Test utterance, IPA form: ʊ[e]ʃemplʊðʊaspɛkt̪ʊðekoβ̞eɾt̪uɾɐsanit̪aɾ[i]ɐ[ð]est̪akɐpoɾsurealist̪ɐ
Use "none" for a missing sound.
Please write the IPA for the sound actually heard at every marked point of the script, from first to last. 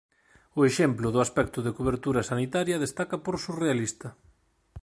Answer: e, j, ð

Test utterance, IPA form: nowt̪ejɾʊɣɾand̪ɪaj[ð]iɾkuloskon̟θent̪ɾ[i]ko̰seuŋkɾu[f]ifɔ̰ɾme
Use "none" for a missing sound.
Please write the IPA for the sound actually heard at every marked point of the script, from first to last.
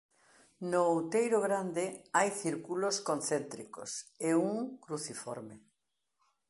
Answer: θ, i, θ

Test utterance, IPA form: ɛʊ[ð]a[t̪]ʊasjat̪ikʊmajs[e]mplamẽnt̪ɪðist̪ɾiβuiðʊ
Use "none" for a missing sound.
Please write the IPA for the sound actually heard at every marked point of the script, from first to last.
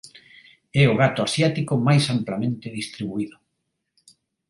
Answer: ɣ, t̪, a

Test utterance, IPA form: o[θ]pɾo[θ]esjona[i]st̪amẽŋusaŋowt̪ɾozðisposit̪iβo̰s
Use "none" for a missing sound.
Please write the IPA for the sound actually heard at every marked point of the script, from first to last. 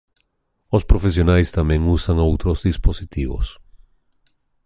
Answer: s, f, j

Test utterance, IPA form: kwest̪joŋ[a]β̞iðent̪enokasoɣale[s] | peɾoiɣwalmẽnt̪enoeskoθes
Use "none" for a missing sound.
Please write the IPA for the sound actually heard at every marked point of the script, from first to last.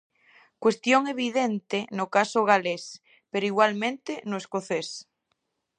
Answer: e, s

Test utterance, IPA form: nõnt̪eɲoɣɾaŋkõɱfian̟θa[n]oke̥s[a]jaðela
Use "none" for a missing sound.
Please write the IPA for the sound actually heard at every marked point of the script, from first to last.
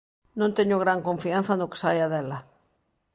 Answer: n, a

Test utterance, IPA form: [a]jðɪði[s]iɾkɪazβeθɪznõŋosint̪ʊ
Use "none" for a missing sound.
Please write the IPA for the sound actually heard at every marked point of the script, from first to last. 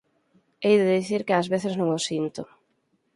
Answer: e, θ

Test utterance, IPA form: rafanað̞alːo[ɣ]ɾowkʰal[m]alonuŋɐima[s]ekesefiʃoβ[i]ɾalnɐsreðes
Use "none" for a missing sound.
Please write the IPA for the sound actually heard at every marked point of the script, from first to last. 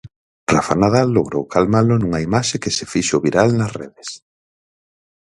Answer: ɣ, m, ʃ, i

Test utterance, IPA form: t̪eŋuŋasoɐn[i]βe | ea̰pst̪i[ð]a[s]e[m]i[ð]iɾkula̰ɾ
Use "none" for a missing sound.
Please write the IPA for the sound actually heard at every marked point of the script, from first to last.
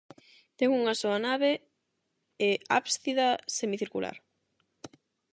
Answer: a, ð, s, m, θ

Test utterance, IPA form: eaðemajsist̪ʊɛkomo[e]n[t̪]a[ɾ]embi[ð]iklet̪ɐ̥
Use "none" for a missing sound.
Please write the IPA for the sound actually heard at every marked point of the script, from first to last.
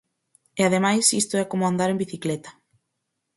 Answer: a, d̪, ɾ, θ

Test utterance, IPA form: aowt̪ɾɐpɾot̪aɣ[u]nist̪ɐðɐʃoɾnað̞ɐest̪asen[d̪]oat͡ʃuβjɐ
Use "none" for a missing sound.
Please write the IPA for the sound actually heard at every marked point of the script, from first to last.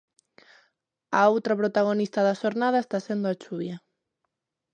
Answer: o, d̪

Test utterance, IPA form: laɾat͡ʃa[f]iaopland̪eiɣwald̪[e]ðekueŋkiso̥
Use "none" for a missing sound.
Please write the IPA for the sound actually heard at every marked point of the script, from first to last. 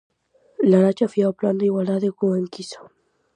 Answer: f, a

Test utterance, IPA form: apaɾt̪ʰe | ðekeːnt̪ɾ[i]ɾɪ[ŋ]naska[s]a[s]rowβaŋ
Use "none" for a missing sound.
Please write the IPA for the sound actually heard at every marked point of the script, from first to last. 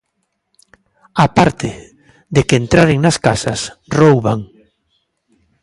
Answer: a, ŋ, s, s

